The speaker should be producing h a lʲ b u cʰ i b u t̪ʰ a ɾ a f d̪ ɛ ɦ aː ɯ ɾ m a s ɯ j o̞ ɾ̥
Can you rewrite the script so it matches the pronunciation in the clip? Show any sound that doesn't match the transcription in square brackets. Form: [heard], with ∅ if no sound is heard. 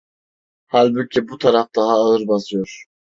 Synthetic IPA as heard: h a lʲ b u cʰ i b u t̪ʰ a ɾ a f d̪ [a] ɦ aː ɯ ɾ [b] a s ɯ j o̞ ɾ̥